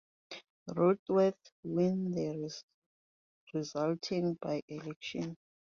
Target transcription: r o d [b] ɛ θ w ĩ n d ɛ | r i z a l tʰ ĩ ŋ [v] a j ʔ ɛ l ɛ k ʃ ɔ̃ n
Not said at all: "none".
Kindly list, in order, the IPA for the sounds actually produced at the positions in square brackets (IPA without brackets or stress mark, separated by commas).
w, b